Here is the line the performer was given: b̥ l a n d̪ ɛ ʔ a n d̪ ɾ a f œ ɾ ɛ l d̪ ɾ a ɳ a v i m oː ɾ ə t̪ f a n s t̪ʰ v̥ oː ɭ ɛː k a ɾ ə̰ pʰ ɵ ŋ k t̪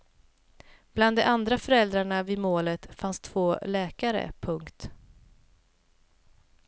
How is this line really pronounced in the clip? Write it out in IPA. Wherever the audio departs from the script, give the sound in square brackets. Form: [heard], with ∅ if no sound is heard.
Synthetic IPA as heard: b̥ l a n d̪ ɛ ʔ a n d̪ ɾ a f œ ɾ ɛ l d̪ ɾ a ɳ a v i m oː [l] ə t̪ f a n s t̪ʰ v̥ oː [l] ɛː k a ɾ ə̰ pʰ ɵ ŋ k t̪

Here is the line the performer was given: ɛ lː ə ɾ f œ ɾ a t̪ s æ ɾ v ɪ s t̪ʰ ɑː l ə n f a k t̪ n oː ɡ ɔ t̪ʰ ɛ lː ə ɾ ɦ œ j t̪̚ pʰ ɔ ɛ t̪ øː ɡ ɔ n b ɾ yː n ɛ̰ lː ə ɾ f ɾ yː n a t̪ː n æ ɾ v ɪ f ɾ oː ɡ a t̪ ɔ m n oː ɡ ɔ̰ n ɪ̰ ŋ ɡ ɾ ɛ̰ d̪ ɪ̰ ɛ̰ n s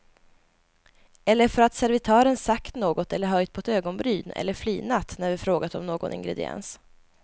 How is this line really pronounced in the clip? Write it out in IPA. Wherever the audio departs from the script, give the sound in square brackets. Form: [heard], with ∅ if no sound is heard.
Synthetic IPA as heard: ɛ lː ə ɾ f œ ɾ a t̪ s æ ɾ v ɪ [∅] t̪ʰ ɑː [ɾ] ə n [s] a k t̪ n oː ɡ ɔ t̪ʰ ɛ lː ə ɾ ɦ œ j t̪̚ pʰ ɔ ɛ t̪ øː ɡ ɔ n b ɾ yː n ɛ̰ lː ə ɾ f [l] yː n a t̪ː n æ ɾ v ɪ f ɾ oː ɡ a t̪ ɔ m n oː ɡ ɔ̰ n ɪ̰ ŋ ɡ ɾ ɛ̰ d̪ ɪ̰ ɛ̰ n s

